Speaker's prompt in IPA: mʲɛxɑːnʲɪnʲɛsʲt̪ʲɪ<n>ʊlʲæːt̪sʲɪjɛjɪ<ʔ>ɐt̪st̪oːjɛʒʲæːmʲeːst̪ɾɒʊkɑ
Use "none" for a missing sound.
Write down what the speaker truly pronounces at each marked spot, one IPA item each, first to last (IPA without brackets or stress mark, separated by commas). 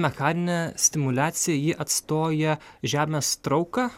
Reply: m, ʔ